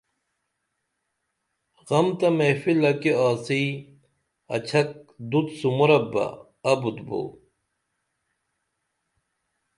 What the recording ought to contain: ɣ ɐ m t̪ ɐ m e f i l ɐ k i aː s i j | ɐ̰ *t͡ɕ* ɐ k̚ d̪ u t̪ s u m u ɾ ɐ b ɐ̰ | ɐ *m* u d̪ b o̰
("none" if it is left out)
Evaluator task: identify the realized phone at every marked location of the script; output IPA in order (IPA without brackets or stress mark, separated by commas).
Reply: t͡ɕʰ, b